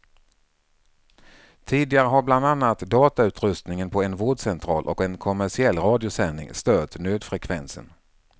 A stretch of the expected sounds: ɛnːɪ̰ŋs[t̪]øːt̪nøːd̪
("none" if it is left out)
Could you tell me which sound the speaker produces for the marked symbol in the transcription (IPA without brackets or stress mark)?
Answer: t̪